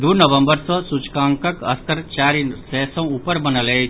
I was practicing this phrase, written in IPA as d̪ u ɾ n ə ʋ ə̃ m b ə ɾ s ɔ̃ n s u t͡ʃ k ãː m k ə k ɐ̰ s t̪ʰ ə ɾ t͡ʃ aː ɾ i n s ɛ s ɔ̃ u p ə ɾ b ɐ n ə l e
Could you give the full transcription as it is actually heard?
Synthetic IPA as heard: d̪ u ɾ n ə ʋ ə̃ m b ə ɾ s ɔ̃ s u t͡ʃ k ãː ŋ k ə k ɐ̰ s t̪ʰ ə ɾ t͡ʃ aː ɾ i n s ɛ s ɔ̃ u p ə ɾ b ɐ n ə l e

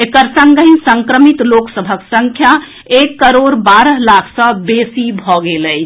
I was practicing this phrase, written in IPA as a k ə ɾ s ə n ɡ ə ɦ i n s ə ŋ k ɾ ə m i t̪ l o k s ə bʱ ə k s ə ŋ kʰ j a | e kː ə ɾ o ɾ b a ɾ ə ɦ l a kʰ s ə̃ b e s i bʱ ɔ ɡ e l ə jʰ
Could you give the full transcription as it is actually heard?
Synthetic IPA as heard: e k ə ɾ s ə ŋ ɡ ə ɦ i n s ə ŋ k ɾ ə m i t̪ l o k s ə bʱ ə k s ə ŋ kʰ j a | e kː ə ɾ o ɾ b a ɾ ə ɦ l a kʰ s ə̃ b e s i bʱ ɔ ɡ e l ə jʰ

